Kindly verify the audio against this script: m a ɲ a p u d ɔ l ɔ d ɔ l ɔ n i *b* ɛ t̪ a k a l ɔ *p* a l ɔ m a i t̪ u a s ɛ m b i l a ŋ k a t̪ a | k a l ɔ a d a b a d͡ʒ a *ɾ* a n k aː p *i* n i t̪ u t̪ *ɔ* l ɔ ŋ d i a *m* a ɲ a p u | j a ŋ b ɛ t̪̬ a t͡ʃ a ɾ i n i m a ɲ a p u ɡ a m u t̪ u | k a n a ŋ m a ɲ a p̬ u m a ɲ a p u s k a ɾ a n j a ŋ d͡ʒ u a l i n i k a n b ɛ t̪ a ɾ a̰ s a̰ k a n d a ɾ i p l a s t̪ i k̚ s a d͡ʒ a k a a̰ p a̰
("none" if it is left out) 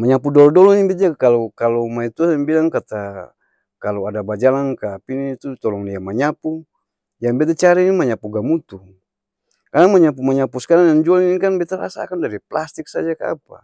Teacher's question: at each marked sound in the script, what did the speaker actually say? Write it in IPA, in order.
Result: b, k, l, i, ɔ, m

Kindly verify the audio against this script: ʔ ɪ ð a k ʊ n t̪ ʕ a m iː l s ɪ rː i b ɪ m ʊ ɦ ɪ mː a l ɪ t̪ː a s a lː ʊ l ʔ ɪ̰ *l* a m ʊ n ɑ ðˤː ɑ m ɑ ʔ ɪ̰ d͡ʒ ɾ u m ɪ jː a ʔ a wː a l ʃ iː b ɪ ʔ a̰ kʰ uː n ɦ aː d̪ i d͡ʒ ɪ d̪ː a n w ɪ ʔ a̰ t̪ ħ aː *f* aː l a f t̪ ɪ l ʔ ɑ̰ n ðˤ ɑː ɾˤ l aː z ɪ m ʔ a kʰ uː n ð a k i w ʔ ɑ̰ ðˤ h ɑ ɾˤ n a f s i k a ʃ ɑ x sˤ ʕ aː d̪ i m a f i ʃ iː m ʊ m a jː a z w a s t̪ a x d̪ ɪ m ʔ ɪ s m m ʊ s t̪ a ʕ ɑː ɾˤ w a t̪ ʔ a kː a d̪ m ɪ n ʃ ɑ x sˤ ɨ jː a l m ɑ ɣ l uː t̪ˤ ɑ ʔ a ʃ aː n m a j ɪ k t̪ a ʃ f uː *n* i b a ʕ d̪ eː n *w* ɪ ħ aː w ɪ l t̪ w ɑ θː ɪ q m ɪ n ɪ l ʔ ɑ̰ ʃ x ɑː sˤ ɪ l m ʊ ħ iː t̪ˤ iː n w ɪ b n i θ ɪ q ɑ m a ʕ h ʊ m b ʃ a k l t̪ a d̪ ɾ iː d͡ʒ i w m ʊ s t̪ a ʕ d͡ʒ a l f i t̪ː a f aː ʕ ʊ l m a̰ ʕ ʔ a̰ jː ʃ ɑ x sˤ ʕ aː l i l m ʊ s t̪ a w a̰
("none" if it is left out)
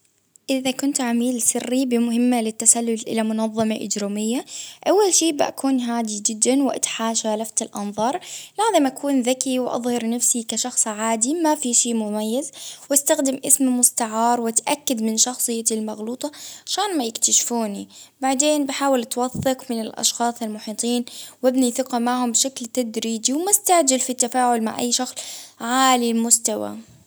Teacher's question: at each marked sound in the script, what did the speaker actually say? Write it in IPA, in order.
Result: l, ʃ, n, b

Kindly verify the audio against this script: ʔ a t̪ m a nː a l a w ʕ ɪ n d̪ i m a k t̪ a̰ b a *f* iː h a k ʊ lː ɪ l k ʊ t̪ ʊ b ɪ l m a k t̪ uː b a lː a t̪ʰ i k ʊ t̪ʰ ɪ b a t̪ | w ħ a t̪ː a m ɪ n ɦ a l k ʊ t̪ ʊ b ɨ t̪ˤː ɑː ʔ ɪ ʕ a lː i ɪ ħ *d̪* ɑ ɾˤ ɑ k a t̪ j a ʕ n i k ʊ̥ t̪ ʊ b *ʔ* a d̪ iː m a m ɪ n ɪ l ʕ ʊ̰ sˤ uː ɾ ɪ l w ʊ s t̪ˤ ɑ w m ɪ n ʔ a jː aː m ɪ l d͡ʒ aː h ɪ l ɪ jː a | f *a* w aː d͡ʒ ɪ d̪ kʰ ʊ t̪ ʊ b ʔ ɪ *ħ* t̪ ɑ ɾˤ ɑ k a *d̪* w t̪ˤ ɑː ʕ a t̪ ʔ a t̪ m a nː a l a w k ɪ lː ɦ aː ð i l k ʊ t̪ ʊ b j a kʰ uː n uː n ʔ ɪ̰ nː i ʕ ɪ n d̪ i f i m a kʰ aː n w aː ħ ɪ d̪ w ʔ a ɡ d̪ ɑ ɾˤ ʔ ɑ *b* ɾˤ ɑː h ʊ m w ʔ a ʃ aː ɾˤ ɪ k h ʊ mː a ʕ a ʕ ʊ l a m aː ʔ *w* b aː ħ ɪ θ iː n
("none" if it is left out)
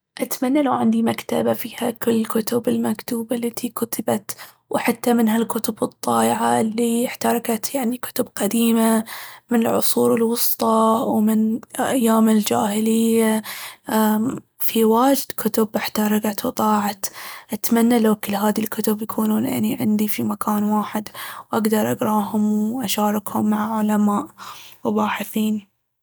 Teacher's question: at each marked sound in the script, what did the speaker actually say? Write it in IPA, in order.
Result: f, t̪, q, i, ħ, t̪, ɡ, w

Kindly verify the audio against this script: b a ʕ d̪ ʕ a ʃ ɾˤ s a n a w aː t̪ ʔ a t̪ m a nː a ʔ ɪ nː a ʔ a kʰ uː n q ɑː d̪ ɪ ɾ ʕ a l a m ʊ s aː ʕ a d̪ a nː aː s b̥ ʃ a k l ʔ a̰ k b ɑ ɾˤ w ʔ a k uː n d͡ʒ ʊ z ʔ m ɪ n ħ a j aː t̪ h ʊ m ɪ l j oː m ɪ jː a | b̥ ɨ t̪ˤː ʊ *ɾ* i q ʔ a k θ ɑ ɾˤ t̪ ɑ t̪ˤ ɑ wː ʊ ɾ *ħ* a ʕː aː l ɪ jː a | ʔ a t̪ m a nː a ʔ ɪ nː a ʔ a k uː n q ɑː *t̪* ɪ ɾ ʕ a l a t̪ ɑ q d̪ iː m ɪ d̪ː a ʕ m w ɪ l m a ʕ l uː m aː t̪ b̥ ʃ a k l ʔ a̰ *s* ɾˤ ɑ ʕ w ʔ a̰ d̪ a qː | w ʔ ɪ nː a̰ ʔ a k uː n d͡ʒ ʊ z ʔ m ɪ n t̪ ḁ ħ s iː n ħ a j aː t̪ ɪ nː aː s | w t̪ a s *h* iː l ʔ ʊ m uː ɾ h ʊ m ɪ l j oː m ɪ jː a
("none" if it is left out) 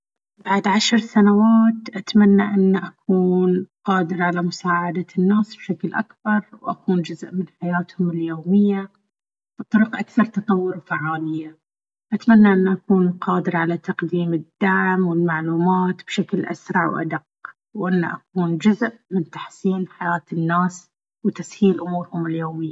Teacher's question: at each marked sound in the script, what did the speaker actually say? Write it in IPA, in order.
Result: ɾ, f, d̪, s, h

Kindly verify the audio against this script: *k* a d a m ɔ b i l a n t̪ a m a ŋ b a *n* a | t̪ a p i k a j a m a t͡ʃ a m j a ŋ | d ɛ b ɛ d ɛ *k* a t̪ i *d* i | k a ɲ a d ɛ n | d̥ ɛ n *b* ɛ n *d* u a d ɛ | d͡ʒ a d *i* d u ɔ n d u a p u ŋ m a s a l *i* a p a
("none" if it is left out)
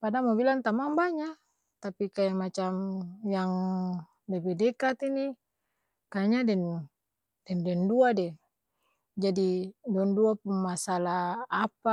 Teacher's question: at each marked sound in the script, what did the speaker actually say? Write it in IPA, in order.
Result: p, ɲ, k, n, d, d, i, a

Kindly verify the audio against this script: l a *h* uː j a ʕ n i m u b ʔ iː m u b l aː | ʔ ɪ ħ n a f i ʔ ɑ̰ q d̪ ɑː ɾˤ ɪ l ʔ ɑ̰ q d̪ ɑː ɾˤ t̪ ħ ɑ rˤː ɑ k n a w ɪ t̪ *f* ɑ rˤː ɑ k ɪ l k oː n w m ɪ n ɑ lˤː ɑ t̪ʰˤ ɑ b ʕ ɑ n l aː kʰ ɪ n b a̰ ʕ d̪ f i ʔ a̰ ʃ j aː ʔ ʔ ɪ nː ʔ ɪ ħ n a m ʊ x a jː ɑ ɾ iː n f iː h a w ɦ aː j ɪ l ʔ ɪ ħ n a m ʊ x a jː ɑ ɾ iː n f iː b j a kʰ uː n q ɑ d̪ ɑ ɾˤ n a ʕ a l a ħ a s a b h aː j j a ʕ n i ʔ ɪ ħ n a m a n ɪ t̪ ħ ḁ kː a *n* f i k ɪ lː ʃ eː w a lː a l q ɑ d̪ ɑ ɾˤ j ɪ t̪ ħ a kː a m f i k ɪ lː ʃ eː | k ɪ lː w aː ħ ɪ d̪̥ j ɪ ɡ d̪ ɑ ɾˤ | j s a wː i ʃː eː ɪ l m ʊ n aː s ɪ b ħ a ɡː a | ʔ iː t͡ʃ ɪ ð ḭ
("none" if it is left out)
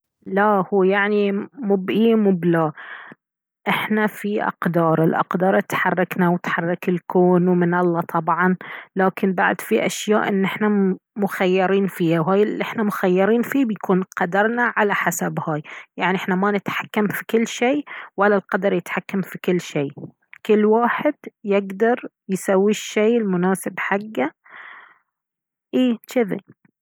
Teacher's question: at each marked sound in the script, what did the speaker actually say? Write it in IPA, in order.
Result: h, ħ, m

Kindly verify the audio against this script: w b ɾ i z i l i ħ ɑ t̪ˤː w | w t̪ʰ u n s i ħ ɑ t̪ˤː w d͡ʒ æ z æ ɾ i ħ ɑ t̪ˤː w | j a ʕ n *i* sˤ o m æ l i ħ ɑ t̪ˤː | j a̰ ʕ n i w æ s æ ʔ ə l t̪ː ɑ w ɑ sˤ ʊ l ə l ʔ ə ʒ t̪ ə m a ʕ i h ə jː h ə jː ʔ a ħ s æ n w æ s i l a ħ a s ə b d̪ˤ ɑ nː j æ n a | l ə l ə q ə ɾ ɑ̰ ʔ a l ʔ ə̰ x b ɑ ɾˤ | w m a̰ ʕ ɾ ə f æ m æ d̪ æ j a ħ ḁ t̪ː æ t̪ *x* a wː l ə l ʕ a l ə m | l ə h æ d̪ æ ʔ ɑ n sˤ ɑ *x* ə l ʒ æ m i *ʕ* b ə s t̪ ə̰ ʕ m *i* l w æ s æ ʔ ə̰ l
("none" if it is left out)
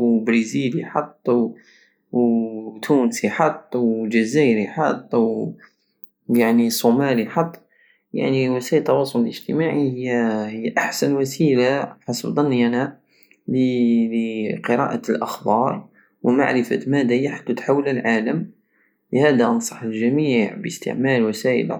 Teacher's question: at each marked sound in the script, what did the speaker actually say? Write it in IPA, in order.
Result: i, ħ, ħ, ʕ, æ

